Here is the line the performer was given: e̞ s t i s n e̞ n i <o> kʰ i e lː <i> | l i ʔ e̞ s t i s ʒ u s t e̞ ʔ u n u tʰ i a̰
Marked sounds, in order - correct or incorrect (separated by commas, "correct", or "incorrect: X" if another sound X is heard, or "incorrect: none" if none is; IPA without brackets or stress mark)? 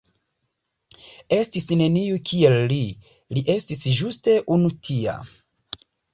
incorrect: u, correct